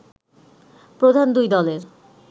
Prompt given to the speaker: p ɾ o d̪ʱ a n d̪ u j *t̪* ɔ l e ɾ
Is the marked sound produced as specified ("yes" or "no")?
no